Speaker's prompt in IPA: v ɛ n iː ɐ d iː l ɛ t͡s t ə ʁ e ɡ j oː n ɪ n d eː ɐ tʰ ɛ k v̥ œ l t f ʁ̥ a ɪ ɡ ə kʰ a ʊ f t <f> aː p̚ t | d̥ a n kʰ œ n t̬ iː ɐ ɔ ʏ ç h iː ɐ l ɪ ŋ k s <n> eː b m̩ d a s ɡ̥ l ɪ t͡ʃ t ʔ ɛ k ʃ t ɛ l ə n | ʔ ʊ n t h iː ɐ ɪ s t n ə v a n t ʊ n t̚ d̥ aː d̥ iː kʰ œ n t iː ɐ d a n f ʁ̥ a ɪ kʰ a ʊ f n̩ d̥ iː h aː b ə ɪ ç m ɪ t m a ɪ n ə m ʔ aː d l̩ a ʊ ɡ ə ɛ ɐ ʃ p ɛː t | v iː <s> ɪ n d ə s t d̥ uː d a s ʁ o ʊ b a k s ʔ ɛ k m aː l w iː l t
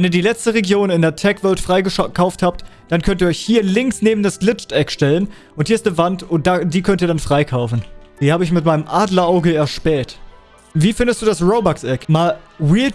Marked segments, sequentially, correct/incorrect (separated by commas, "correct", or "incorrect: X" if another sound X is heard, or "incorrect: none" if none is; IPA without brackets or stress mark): incorrect: h, correct, incorrect: f